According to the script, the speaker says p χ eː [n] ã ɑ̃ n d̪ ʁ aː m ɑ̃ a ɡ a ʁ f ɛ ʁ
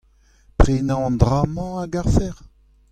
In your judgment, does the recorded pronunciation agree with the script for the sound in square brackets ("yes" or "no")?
yes